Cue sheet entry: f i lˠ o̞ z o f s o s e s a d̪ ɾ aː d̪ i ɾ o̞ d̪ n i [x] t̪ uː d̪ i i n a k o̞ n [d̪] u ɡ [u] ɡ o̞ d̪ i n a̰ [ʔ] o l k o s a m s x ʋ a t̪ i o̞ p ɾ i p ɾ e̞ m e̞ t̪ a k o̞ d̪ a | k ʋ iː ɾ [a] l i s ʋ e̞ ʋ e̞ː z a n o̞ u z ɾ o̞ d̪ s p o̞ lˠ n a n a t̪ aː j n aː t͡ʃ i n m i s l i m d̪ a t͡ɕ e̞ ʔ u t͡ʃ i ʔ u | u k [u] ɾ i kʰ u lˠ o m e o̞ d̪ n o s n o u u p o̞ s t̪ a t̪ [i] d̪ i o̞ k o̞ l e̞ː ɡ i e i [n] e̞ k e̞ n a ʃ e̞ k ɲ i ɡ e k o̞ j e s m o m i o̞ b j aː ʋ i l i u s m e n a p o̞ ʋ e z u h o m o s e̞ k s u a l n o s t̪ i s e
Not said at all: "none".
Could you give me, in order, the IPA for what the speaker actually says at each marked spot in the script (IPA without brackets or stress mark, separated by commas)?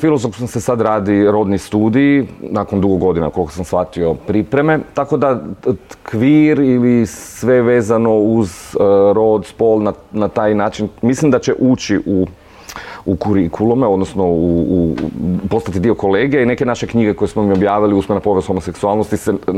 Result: s, d̪, o, k, i, u, i, n